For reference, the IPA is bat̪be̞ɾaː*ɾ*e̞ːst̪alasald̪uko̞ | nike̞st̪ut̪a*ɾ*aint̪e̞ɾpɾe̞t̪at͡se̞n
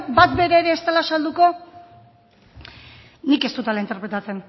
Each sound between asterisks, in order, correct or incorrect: correct, incorrect

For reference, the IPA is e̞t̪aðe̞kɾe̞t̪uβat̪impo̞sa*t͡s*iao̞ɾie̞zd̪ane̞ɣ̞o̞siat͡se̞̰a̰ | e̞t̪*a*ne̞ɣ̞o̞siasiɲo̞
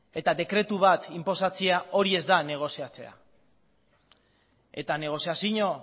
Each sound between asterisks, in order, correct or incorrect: correct, correct

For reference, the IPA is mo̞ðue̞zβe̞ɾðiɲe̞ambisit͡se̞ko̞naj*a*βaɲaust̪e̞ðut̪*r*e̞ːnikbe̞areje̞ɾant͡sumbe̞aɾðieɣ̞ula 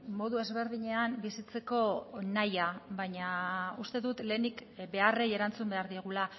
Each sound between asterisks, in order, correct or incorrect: correct, incorrect

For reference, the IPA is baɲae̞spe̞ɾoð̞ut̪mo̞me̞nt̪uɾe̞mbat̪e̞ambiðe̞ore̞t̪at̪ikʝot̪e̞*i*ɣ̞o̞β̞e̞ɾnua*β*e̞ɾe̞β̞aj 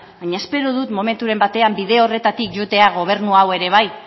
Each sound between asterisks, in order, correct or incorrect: incorrect, incorrect

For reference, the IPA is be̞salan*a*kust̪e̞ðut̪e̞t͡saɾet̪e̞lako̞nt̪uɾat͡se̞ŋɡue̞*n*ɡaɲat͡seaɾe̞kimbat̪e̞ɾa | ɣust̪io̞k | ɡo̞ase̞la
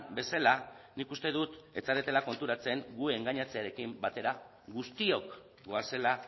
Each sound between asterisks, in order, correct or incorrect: incorrect, incorrect

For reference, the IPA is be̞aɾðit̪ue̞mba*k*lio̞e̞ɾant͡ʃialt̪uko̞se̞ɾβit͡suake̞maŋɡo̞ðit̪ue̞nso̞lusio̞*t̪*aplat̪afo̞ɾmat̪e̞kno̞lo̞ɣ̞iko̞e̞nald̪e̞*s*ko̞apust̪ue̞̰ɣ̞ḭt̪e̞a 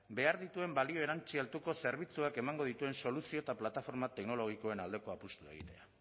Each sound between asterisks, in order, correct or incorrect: incorrect, correct, incorrect

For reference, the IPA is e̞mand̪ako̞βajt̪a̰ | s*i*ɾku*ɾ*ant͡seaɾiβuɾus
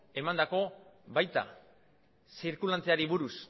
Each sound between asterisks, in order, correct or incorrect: correct, incorrect

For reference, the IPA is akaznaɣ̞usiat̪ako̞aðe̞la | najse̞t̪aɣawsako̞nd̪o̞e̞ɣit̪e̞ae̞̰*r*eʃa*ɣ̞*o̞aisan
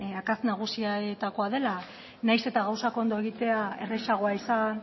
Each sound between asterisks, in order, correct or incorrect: correct, correct

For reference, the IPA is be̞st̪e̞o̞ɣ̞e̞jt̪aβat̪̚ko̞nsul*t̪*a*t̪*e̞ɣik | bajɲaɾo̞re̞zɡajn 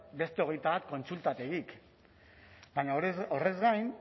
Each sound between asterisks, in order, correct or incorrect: correct, correct

